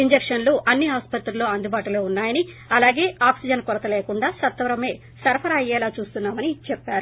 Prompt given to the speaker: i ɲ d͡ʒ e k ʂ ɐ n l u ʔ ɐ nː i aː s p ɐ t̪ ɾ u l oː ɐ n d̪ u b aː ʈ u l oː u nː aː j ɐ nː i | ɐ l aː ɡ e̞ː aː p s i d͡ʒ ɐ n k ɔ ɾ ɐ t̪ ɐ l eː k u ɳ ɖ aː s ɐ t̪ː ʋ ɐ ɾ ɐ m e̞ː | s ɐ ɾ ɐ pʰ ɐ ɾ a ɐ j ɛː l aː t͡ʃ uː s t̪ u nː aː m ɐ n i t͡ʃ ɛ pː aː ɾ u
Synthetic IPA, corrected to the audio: i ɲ d͡ʒ e k ʂ ɐ n l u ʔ ɐ nː i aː s p ɐ t̪ ɾ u l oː ɐ n d̪ u b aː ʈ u l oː u nː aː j ɐ n i | ɐ l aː ɡ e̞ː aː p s i d͡ʒ ɐ n k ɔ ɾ ɐ t̪ ɐ l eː k u ɳ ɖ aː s ɐ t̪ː ʋ ɐ ɾ ɐ m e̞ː | s ɐ ɾ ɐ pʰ ɐ ɾ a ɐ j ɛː l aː t͡ʃ uː s t̪ u nː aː m ɐ n i t͡ʃ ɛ pː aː ɾ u